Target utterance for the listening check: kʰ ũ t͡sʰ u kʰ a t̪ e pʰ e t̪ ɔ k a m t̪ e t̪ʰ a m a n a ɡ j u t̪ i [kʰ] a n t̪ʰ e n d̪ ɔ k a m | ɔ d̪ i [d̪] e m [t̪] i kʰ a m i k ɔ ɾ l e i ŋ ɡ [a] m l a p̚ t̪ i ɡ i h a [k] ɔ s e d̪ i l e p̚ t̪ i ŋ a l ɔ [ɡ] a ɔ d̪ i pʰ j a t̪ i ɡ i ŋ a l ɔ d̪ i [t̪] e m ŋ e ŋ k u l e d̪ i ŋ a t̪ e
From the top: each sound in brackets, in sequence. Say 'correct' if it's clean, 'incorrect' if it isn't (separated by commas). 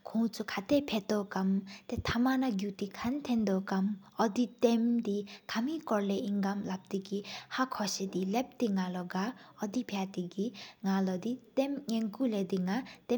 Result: correct, incorrect, incorrect, correct, incorrect, correct, correct